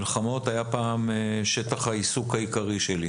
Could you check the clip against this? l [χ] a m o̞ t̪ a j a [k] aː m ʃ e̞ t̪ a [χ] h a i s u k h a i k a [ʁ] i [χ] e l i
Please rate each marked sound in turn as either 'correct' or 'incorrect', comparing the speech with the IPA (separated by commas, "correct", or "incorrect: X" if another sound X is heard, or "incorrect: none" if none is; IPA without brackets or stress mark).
correct, incorrect: p, correct, correct, incorrect: ʃ